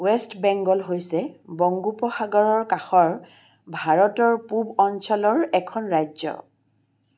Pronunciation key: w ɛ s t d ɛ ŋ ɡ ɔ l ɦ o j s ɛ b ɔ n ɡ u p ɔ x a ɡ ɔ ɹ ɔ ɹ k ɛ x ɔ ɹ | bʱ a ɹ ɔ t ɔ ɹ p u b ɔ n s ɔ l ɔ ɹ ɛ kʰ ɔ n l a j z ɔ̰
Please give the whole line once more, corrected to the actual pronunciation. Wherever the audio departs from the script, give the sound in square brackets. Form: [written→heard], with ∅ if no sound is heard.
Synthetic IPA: w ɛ s t [d→b] ɛ ŋ ɡ ɔ l ɦ o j s ɛ b ɔ [n→ŋ] ɡ u p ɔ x a ɡ ɔ ɹ ɔ ɹ k [ɛ→a] x ɔ ɹ | bʱ a ɹ ɔ t ɔ ɹ p u b ɔ n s ɔ l ɔ ɹ ɛ kʰ ɔ n [l→ɹ] a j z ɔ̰